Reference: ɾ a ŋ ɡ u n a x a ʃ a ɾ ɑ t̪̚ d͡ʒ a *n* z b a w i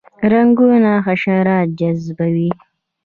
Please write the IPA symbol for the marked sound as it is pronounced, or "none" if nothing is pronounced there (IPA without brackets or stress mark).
none